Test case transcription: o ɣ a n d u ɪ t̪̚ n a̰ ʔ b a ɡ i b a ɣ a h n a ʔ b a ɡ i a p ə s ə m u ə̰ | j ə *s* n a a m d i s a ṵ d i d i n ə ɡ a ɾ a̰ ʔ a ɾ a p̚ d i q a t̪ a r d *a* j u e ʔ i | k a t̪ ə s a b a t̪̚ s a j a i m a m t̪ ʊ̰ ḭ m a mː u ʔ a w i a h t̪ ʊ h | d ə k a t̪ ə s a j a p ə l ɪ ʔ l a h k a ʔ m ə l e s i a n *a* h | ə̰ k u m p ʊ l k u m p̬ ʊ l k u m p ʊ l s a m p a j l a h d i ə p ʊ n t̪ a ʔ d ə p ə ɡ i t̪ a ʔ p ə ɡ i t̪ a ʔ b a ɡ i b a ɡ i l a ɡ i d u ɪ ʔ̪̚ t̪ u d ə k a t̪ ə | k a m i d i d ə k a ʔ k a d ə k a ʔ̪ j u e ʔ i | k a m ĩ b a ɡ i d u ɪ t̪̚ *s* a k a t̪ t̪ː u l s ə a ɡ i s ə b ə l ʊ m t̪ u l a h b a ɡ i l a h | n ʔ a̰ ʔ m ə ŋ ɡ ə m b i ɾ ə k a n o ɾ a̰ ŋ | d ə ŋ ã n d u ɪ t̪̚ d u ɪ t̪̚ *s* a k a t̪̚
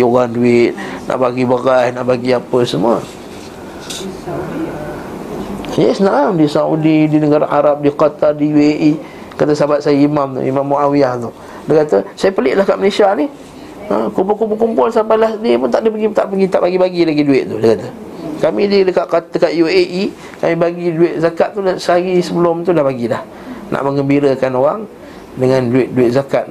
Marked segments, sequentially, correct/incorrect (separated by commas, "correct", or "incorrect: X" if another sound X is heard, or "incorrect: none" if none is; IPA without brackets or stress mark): correct, incorrect: i, incorrect: i, incorrect: z, incorrect: z